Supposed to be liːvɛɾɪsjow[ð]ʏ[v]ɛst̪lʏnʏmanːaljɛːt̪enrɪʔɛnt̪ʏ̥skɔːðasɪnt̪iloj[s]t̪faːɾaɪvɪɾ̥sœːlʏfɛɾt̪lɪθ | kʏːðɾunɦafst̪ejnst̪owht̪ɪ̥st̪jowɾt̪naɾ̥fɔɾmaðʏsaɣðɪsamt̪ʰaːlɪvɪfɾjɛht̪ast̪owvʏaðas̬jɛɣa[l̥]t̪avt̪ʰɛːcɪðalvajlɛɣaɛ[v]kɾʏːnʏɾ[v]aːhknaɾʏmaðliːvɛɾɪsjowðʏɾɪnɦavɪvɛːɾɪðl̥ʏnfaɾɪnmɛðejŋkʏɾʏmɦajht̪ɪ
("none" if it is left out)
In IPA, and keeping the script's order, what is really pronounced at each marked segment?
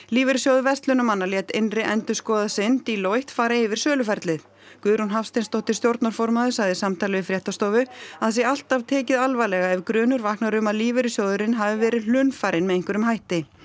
ð, v, h, l̥, v, v

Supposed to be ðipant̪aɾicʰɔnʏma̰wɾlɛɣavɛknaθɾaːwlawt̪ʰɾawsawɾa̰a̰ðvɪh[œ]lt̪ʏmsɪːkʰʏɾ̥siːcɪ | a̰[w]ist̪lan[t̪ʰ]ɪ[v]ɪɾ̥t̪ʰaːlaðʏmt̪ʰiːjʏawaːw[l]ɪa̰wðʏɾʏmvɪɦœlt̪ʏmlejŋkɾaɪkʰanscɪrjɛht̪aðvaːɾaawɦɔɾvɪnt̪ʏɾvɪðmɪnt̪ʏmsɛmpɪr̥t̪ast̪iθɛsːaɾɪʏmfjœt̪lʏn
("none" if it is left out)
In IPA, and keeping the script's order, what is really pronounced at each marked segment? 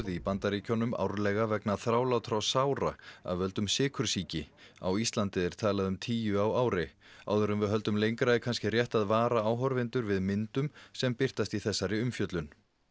œ, w, t̪, ð, ɾ

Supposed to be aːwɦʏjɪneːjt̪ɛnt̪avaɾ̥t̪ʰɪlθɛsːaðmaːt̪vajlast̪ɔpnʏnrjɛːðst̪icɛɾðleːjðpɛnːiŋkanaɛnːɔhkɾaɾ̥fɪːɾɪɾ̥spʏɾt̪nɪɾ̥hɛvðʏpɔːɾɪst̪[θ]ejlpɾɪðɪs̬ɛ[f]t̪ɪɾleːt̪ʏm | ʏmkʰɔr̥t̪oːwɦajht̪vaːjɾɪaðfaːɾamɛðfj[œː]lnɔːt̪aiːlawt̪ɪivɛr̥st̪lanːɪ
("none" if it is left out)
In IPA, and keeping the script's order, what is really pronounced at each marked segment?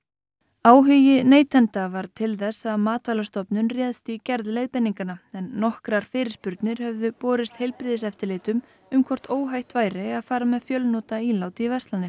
h, f, œ

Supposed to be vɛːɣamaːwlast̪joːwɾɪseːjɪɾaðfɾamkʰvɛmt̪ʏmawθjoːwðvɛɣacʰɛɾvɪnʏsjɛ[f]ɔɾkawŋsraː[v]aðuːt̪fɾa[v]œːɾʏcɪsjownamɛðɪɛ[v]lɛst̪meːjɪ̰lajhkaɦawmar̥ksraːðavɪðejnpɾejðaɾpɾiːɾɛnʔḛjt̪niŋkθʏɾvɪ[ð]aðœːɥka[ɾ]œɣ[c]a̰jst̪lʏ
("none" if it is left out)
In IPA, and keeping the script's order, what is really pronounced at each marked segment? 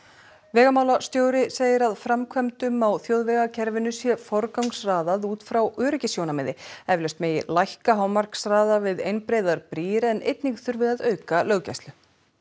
f, ð, w, v, ð, l, c

